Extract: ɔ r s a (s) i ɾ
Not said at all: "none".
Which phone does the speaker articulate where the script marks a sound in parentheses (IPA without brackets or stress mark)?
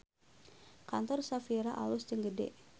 f